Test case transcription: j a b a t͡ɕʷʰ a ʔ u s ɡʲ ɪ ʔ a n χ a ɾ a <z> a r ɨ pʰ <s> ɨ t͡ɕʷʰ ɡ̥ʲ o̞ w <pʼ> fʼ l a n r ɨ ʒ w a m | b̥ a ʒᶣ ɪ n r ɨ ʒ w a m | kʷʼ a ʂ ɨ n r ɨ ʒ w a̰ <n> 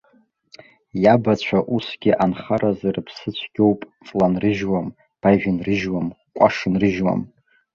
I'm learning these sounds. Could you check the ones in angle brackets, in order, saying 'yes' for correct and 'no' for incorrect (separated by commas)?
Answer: yes, yes, yes, no